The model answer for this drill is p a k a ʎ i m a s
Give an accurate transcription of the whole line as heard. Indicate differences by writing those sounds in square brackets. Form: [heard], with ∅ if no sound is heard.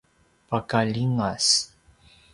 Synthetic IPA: p a k a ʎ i [ŋ] a s